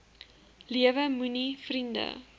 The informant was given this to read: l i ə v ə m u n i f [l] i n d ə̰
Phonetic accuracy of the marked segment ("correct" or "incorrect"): incorrect